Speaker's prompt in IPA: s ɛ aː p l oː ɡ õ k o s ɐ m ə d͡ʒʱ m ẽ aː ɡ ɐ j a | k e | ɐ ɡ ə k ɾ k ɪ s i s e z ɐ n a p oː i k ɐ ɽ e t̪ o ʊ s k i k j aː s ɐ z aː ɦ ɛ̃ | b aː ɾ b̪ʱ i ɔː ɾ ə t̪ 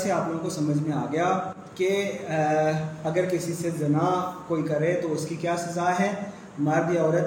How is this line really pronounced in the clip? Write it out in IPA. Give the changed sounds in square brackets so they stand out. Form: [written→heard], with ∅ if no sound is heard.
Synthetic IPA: s [ɛ→e] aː p l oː ɡ õ k o s ɐ m ə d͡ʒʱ m ẽ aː ɡ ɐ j a | k e | ɐ ɡ ə [k→∅] ɾ k ɪ s i s e z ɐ n a [p→k] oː i k ɐ [ɽ→ɾ] e t̪ o ʊ s k i k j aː s ɐ z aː ɦ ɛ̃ | [b→m] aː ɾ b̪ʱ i ɔː ɾ ə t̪